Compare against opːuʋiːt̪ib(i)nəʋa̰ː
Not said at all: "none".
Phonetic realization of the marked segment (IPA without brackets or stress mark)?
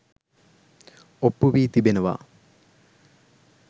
e